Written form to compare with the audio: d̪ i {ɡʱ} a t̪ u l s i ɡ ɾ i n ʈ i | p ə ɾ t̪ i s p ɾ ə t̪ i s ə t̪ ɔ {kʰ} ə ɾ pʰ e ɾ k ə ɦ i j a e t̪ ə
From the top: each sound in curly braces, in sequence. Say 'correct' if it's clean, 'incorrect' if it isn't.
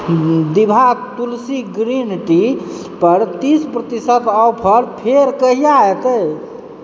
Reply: incorrect: bʱ, incorrect: pʰ

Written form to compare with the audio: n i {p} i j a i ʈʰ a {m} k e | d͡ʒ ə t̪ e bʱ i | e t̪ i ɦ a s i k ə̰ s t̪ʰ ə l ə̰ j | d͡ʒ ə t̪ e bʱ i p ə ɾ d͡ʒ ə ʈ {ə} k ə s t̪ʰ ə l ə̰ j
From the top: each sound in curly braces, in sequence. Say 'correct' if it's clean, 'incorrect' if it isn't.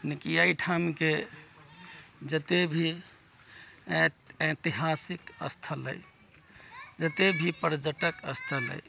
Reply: incorrect: k, correct, correct

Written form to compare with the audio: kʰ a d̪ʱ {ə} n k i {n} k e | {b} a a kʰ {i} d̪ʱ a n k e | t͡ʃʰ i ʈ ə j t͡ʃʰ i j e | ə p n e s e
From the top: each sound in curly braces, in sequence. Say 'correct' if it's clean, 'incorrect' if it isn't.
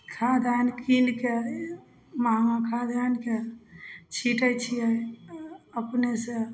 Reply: incorrect: a, correct, incorrect: m, incorrect: a

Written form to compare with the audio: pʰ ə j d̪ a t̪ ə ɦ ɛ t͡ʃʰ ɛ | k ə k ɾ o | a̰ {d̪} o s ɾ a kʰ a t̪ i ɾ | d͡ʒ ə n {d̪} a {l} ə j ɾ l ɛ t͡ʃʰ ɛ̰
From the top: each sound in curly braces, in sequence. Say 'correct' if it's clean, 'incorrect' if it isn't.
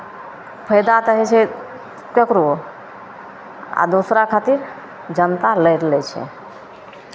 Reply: correct, incorrect: t̪, correct

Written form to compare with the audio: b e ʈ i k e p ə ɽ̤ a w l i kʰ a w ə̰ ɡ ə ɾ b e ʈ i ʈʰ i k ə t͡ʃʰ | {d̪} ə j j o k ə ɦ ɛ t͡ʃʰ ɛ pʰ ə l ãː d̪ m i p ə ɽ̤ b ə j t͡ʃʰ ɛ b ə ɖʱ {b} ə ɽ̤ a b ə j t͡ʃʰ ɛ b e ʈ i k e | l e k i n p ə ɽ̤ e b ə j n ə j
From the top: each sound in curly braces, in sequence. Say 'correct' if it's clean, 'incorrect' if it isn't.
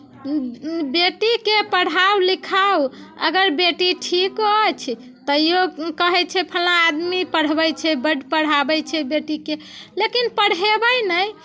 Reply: incorrect: t̪, incorrect: p

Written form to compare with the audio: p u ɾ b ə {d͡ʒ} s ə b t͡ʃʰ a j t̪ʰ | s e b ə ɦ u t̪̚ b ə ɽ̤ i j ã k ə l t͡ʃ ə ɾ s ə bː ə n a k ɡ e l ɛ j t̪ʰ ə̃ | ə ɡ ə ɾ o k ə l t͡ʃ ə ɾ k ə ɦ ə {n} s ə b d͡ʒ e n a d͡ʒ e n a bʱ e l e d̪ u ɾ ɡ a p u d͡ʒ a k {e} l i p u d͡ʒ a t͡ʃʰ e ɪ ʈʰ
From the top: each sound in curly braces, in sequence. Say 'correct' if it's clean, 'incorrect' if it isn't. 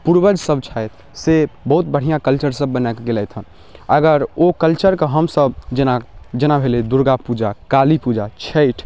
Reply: correct, incorrect: m, incorrect: a

